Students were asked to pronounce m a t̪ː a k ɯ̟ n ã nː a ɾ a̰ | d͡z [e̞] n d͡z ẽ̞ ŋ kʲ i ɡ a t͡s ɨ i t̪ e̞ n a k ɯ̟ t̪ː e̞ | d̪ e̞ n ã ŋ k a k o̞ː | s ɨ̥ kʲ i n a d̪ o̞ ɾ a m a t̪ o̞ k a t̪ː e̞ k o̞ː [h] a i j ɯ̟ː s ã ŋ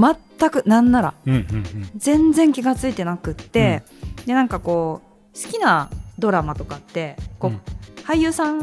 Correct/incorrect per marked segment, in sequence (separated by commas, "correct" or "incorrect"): incorrect, correct